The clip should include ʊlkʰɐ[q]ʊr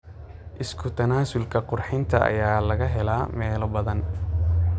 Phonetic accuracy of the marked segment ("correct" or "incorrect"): correct